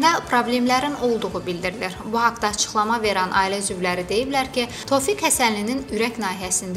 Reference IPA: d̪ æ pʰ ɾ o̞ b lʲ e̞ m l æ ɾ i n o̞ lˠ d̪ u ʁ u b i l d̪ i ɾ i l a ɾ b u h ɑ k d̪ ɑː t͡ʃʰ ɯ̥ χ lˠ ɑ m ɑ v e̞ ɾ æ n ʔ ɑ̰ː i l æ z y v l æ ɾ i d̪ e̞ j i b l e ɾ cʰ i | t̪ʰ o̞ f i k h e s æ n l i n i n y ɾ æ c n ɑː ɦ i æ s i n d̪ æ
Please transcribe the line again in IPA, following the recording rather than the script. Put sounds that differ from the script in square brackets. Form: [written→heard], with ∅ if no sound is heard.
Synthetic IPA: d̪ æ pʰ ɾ o̞ b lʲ e̞ m l æ ɾ i n o̞ lˠ d̪ u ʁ u b i l d̪ i ɾ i l [a→i] ɾ b u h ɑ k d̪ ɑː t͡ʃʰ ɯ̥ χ lˠ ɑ m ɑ v e̞ ɾ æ n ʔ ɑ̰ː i l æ z y v l æ ɾ i d̪ e̞ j i b l [e→æ] ɾ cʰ i | t̪ʰ o̞ f i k h [e→æ] s æ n l i n i n y ɾ æ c n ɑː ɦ i æ s i n d̪ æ